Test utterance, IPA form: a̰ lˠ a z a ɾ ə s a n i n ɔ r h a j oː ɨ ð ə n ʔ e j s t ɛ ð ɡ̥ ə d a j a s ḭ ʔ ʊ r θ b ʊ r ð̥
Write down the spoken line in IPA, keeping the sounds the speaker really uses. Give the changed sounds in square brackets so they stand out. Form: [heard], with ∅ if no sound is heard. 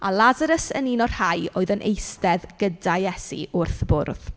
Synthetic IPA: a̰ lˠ a z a ɾ ə s [ə] n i n ɔ r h a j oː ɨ ð ə n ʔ e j s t ɛ ð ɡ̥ ə d a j [ɛ] s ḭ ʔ ʊ r θ b ʊ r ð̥